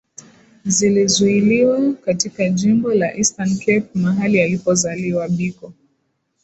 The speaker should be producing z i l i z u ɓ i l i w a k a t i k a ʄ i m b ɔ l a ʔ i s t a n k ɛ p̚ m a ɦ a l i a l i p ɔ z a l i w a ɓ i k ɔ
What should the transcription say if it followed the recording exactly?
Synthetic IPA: z i l i z u i l i w a k a t i k a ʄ i m b ɔ l a ʔ i s t a n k ɛ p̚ m a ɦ a l i a l i p ɔ z a l i w a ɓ i k ɔ

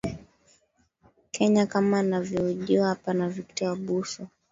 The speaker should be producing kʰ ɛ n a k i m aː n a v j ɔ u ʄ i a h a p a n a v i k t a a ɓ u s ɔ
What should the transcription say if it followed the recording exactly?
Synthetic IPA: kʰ ɛ ɲ a k a m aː n a v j ɔ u ʄ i a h a p a n a v i k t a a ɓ u s ɔ

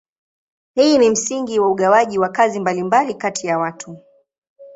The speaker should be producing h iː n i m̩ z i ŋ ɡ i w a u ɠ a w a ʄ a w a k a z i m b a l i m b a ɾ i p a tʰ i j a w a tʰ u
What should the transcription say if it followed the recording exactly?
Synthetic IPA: h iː n i m̩ s i ŋ ɡ i w a u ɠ a w a ʄ i w a k a z i m b a l i m b a l i k a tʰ i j a w a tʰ u

